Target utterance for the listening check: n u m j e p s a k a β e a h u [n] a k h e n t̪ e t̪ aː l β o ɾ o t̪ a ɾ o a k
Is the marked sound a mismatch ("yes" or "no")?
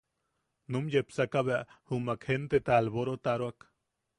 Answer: yes